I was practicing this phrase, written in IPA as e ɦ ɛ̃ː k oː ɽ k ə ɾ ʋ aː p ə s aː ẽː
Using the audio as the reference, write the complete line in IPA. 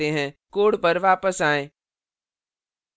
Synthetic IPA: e ɦ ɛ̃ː k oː ɽ p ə ɾ ʋ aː p ə s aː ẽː

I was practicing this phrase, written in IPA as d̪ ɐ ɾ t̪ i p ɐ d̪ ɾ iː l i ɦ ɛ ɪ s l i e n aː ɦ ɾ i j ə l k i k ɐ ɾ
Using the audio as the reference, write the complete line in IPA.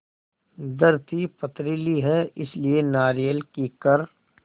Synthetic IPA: d̪ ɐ ɾ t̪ i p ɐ t̪ ɾ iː l i ɦ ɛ ɪ s l i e n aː ɾ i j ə l k i k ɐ ɾ

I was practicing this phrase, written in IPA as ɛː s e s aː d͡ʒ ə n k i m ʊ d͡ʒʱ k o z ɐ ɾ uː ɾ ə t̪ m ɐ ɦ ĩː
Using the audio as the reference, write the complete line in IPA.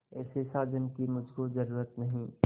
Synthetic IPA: ɛː s e s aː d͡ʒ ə n k i m ʊ d͡ʒʱ k o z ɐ ɾ uː ɾ ə t̪ n ɐ ɦ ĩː

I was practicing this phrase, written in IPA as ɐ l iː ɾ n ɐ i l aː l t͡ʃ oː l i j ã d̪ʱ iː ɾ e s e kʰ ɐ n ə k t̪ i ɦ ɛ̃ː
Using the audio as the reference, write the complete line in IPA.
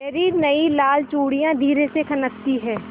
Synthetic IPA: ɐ ɾ iː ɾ n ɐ i l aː l t͡ʃ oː ɽ i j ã d̪ʱ iː ɾ e s e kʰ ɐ n ə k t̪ i ɦ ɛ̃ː

